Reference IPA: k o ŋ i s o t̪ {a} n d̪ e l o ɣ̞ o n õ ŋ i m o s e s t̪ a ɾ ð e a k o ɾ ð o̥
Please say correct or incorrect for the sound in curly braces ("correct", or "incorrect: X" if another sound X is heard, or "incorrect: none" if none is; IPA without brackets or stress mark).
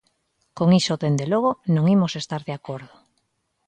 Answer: incorrect: e